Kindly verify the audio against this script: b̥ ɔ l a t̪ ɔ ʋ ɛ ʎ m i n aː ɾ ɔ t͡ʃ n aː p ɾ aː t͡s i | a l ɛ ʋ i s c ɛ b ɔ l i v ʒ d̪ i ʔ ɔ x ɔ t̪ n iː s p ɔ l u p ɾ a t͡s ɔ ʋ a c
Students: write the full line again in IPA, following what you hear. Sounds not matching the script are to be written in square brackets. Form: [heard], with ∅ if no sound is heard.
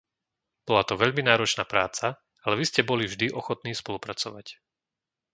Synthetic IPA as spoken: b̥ ɔ l a t̪ ɔ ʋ ɛ ʎ m i n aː ɾ ɔ t͡ʃ n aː p ɾ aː t͡s [a] | a l ɛ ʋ i s c ɛ b ɔ l i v ʒ d̪ i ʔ ɔ x ɔ t̪ n iː s p ɔ l u p ɾ a t͡s ɔ ʋ a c

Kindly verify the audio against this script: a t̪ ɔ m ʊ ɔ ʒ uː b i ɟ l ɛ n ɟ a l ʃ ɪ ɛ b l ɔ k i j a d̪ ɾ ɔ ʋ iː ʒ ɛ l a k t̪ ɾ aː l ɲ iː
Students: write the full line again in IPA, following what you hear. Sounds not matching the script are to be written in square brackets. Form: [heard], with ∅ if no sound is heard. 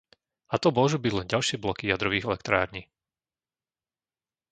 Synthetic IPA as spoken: a t̪ ɔ m ʊ ɔ ʒ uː b i ɟ l ɛ n ɟ a l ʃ ɪ ɛ b l ɔ k i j a d̪ ɾ ɔ ʋ iː [ɣ] ɛ l [ɛ] k t̪ ɾ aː [ɾ] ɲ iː

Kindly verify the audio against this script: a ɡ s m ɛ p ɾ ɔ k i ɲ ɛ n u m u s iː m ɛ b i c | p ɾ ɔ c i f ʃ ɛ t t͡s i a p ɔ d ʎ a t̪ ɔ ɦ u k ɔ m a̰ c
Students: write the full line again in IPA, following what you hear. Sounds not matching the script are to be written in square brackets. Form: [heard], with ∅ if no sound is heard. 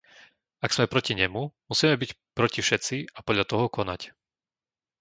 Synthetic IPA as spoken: a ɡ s m ɛ p ɾ ɔ [c] i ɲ ɛ [m] u m u s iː m ɛ b i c | p ɾ ɔ c i f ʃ ɛ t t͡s i a p ɔ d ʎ a t̪ ɔ ɦ [ɔ] k ɔ [n] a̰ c

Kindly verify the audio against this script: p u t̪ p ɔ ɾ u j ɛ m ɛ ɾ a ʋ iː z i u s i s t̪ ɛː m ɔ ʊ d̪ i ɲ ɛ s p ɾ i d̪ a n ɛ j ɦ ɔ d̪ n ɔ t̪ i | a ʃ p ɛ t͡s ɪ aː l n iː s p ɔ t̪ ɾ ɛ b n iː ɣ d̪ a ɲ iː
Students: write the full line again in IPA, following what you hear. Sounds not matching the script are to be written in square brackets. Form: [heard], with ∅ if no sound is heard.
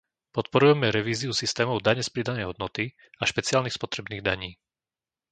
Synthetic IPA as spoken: p [ɔ] t̪ p ɔ ɾ u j ɛ m ɛ ɾ [ɛ] ʋ iː z i u s i s t̪ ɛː m ɔ ʊ d̪ [a] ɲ ɛ s p ɾ i d̪ a n ɛ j ɦ ɔ d̪ n ɔ t̪ i | a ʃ p ɛ t͡s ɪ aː l n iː s p ɔ t̪ ɾ ɛ b n iː ɣ d̪ a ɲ iː

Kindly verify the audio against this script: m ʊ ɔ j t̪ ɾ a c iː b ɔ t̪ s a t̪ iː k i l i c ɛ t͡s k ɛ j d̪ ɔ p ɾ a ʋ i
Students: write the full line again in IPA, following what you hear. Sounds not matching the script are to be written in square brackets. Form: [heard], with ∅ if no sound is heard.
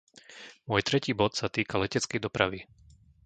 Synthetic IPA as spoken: m ʊ ɔ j t̪ ɾ [ɛ] c iː b ɔ t̪ s a t̪ iː k [a] l [ɛ] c ɛ t͡s k ɛ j d̪ ɔ p ɾ a ʋ i

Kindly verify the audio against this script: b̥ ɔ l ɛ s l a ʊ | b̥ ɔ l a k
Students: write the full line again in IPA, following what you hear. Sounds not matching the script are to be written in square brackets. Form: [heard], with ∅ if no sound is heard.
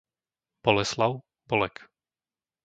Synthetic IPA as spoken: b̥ ɔ l ɛ s l a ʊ | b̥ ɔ l [ɛ] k

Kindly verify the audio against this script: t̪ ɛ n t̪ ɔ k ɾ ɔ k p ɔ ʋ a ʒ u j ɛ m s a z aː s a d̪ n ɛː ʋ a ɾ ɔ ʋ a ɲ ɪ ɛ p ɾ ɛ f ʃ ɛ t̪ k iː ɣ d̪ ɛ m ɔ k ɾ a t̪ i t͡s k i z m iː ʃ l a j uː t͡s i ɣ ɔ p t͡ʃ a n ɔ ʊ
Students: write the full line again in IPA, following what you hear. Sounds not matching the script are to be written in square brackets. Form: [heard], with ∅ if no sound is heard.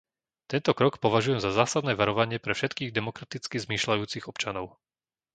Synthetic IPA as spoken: t̪ ɛ n t̪ ɔ k ɾ ɔ k p ɔ ʋ a ʒ u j ɛ m [z] a z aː s a d̪ n ɛː ʋ a ɾ ɔ ʋ a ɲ ɪ ɛ p ɾ ɛ f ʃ ɛ t̪ k iː ɣ d̪ ɛ m ɔ k ɾ a t̪ i t͡s k i z m iː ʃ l a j uː t͡s i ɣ ɔ p t͡ʃ a n ɔ ʊ

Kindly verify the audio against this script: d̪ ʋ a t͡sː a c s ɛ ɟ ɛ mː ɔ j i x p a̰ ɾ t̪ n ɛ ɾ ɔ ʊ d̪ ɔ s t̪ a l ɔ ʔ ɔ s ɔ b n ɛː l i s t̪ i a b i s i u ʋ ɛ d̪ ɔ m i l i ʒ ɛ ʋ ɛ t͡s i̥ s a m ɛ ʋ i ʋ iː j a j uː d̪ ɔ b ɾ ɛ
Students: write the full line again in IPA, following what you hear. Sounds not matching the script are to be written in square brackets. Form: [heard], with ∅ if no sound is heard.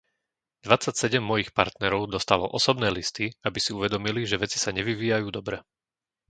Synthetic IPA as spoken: d̪ ʋ a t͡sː a c s ɛ ɟ ɛ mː ɔ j i x p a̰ ɾ t̪ n ɛ ɾ ɔ ʊ d̪ ɔ s t̪ a l ɔ ʔ ɔ s ɔ b n ɛː l i s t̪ i a b i s i u ʋ ɛ d̪ ɔ m i l i ʒ ɛ ʋ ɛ t͡s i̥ s a [ɲ] ɛ ʋ i ʋ iː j a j uː d̪ ɔ b ɾ ɛ

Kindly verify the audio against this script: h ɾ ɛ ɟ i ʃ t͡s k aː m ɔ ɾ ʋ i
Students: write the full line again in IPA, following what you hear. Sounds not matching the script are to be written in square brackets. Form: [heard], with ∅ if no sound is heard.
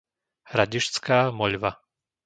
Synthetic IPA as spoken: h ɾ [a] ɟ i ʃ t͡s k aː m ɔ [ʎ] ʋ [a]

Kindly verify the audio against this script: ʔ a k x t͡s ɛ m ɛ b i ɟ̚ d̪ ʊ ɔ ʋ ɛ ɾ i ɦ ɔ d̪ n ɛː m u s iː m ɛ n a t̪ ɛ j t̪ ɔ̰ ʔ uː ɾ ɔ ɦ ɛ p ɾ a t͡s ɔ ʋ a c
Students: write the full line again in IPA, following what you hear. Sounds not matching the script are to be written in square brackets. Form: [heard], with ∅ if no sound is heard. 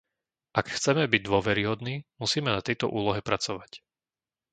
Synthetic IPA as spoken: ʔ a k x t͡s ɛ m ɛ b i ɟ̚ d̪ ʊ ɔ ʋ ɛ ɾ i ɦ ɔ d̪ n [iː] m u s iː m ɛ n a t̪ ɛ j t̪ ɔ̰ ʔ uː [l] ɔ ɦ ɛ p ɾ a t͡s ɔ ʋ a c

